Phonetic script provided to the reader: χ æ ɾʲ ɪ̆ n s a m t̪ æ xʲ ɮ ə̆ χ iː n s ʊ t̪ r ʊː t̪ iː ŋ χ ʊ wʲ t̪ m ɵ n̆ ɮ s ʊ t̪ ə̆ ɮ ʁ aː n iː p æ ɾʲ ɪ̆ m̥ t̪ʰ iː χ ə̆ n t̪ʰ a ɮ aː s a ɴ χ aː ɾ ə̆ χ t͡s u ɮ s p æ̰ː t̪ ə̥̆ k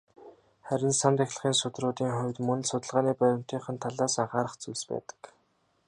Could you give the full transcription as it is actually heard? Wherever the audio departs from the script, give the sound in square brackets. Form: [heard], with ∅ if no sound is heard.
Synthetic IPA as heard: χ æ ɾʲ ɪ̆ n s a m t̪ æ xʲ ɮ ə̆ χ iː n s ʊ t̪ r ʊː t̪ iː ŋ χ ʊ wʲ t̪ m ɵ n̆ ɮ s ʊ t̪ ə̆ ɮ ʁ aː n iː p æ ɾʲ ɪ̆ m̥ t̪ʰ iː χ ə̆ n t̪ʰ a ɮ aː s a ɴ χ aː ɾ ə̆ χ t͡s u ɮ s p æ̰ː t̪ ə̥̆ k